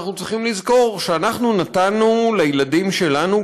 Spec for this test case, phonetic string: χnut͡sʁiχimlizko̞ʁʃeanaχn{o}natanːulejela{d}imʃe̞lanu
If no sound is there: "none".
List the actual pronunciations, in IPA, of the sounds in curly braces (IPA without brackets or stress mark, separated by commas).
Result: u, d